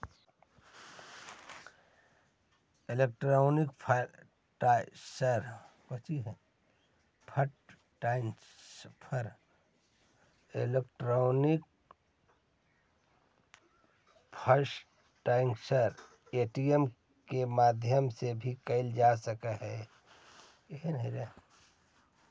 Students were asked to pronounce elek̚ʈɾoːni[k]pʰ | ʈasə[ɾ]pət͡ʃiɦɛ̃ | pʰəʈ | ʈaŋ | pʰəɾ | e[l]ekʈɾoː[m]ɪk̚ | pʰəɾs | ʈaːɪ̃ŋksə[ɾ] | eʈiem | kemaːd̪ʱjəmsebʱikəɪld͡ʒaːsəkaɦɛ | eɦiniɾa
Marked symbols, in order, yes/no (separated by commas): yes, yes, yes, no, yes